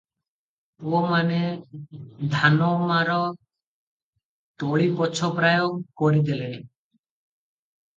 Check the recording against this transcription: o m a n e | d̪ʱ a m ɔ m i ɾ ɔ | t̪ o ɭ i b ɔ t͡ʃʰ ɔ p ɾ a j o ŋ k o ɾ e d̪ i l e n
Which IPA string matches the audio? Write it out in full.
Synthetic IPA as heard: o m a n e | d̪ʱ a n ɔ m a ɾ ɔ | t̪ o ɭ i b ɔ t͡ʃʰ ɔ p ɾ a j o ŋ k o ɾ i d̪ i l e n